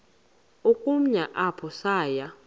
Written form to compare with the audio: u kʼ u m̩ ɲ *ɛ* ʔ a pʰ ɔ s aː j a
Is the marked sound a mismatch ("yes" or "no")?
yes